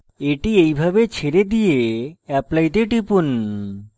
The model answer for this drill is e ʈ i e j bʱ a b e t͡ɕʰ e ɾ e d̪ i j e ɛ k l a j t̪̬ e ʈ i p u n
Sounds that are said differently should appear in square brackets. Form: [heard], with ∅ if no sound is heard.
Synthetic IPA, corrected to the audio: e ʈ i e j bʱ a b e t͡ɕʰ e ɾ e d̪ i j e ɛ [p] l a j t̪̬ e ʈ i p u n